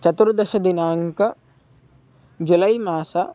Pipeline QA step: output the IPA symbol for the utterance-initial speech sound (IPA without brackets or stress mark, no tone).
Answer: t͡ʃ